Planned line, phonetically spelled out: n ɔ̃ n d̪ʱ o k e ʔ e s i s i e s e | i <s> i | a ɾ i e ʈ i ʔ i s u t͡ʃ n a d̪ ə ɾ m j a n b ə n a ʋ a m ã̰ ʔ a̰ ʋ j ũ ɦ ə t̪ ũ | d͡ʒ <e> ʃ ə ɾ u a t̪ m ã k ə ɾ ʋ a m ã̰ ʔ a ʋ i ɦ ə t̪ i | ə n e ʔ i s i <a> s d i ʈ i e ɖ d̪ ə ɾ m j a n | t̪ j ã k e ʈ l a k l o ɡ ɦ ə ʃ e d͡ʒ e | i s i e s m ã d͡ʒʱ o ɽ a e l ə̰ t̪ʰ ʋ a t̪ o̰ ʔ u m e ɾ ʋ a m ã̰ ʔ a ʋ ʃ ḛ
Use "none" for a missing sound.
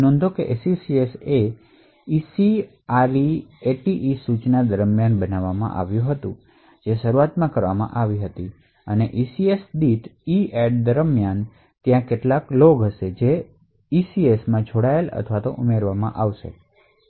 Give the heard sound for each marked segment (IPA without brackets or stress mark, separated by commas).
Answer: s, e, e